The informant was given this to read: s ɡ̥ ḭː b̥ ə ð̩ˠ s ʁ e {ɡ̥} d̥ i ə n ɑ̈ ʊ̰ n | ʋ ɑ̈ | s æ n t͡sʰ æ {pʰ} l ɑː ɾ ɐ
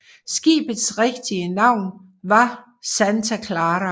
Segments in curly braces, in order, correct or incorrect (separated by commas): correct, incorrect